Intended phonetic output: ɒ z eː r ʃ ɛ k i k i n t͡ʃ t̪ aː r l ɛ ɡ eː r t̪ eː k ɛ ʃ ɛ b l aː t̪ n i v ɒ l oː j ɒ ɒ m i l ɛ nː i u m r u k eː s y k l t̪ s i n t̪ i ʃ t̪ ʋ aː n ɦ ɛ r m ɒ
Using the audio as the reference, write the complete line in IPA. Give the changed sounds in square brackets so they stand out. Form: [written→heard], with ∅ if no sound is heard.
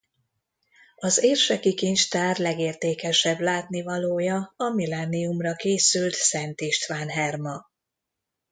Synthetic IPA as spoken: ɒ z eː r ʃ ɛ k i k i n t͡ʃ t̪ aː r l ɛ ɡ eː r t̪ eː k ɛ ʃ ɛ b l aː t̪ n i v ɒ l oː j ɒ ɒ m i l ɛ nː i u m r [u→ɒ] k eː s y [k→∅] l t̪ s [i→ɛ] n t̪ i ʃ t̪ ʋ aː n ɦ ɛ r m ɒ